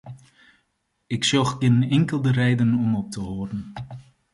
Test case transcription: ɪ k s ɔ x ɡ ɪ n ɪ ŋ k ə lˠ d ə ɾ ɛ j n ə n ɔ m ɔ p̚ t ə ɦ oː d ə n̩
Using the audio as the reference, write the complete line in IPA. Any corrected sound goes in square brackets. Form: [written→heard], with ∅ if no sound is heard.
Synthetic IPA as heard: ɪ k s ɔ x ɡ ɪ n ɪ ŋ k ə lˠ d ə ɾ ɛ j [n→d] ə n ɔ m ɔ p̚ t ə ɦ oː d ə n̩